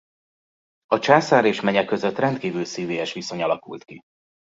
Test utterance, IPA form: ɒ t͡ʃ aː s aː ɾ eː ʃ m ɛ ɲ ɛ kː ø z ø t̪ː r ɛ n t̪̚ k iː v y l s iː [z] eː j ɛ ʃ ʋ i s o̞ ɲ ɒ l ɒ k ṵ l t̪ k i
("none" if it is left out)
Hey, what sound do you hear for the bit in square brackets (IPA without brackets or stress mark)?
v